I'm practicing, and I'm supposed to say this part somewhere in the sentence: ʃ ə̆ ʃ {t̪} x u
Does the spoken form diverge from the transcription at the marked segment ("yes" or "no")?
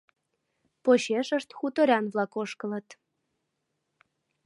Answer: no